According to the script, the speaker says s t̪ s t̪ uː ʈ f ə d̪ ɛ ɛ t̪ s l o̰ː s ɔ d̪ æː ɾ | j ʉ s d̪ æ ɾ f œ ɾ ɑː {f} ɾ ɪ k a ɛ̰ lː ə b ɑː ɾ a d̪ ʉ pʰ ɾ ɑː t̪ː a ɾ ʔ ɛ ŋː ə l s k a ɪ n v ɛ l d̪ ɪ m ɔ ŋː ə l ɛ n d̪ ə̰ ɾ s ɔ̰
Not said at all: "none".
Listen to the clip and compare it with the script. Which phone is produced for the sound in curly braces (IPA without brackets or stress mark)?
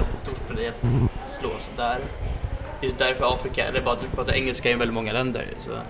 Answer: f